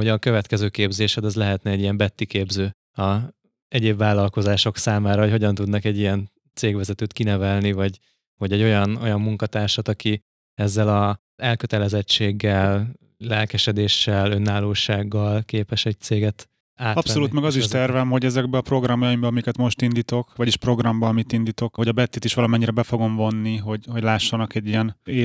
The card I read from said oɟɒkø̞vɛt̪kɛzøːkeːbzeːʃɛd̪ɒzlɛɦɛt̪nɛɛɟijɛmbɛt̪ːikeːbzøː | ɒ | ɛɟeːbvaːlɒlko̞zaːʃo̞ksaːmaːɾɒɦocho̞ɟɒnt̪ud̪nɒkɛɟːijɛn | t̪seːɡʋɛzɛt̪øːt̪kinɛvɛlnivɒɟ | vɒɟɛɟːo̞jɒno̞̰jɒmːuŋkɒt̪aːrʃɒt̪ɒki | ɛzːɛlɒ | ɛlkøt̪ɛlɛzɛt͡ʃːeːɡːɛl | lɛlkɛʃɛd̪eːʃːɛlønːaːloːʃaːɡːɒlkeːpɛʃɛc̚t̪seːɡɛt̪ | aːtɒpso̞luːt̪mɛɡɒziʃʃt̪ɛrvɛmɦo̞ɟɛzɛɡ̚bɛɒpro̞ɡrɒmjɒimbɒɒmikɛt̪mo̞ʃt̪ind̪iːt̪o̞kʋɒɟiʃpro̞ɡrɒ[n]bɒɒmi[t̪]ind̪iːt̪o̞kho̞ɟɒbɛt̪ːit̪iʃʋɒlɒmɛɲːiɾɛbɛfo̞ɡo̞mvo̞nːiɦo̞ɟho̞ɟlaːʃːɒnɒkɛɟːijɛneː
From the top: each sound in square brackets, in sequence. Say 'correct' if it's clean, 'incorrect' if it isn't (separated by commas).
incorrect, correct